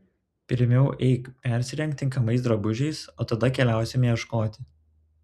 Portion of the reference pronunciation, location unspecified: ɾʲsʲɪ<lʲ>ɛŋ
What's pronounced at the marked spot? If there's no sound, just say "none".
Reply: ɾʲ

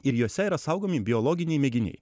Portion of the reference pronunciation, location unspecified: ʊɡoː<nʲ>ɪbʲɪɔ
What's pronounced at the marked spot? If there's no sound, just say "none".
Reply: mʲ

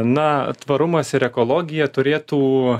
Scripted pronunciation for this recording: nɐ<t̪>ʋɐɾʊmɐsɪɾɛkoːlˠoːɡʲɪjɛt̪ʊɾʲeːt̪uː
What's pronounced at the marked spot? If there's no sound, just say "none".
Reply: t̪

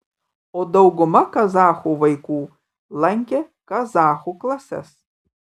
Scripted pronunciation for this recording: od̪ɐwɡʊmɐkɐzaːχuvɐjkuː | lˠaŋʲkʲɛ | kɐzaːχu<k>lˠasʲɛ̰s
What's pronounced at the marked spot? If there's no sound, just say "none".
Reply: k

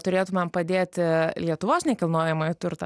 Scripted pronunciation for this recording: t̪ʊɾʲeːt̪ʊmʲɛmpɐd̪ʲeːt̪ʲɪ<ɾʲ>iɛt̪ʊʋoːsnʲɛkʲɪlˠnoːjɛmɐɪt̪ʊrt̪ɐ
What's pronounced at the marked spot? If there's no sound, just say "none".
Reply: lʲ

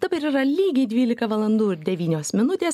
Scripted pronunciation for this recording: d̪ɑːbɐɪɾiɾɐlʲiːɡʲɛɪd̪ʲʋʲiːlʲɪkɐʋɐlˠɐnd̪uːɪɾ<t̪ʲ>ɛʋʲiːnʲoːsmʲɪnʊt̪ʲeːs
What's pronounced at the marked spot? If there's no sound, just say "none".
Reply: d̪ʲ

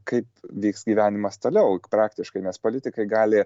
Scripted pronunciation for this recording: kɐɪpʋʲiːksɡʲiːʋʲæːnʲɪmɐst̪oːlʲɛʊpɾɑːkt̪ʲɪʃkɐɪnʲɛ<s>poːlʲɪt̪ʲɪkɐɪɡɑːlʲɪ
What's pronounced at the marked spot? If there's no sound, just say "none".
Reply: s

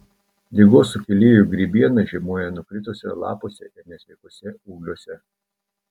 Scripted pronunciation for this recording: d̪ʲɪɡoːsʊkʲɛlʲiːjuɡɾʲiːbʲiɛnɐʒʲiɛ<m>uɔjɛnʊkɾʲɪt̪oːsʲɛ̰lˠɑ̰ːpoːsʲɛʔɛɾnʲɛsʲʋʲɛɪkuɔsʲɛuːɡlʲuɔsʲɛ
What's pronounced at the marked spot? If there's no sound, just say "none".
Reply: m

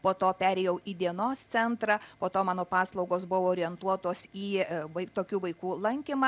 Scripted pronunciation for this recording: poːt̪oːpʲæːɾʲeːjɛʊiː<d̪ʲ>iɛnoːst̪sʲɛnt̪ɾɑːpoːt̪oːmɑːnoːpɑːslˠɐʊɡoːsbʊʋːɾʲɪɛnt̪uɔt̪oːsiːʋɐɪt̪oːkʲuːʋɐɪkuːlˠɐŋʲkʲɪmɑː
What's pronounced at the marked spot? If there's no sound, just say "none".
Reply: d̪ʲ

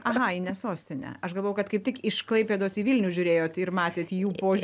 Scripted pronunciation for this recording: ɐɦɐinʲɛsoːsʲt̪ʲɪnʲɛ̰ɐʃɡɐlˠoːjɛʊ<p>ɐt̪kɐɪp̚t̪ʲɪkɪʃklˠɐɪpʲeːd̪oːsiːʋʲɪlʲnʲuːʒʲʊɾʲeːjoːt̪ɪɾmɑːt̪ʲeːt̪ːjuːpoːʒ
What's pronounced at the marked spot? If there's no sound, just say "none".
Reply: k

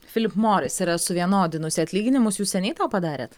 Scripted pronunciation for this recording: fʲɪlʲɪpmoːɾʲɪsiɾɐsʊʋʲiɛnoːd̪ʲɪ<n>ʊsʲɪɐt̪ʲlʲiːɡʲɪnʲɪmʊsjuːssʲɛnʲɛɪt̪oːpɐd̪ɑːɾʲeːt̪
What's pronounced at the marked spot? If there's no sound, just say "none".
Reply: n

